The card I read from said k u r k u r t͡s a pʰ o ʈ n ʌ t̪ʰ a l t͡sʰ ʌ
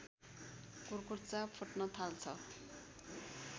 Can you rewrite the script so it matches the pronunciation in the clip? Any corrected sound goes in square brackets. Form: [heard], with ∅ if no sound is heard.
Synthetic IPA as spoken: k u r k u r t͡s a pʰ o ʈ n ʌ t̪ʰ a l t͡sʰ ʌ